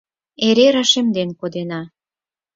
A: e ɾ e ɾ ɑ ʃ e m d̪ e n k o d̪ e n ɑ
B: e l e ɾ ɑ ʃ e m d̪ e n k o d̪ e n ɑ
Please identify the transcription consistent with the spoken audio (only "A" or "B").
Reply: A